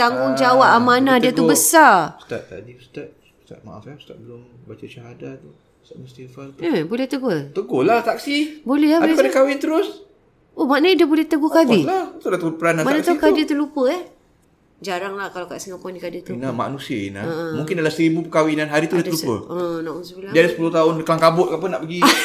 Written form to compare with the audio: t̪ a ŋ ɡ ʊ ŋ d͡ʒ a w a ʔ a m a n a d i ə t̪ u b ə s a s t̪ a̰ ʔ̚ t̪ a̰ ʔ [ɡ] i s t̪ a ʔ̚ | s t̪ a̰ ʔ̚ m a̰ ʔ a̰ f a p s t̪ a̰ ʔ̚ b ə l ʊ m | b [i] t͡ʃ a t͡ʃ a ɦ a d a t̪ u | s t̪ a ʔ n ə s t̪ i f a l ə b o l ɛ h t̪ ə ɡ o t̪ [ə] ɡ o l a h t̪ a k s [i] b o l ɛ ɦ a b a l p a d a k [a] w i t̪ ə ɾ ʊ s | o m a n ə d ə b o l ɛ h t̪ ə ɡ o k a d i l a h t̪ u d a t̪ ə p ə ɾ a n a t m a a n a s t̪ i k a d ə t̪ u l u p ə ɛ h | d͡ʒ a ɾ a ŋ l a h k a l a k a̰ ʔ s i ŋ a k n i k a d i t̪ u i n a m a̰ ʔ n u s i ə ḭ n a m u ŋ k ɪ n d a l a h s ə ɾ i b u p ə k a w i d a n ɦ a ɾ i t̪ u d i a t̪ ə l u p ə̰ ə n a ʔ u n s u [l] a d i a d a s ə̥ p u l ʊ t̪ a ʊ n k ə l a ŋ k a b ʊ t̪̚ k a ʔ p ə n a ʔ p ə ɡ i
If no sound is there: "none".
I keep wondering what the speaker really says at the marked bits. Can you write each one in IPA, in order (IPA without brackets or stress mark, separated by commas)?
d, a, ə, i, a, l